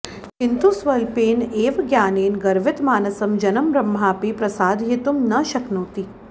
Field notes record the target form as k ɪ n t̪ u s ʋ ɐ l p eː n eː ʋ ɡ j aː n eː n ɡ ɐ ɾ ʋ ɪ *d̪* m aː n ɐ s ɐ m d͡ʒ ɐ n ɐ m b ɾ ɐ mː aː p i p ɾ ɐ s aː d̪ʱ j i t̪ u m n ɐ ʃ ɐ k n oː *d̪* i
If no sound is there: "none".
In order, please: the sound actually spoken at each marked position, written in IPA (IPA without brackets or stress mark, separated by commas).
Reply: t̪, t̪